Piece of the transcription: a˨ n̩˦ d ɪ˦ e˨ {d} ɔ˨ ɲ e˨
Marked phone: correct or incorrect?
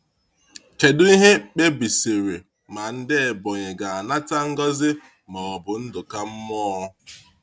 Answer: incorrect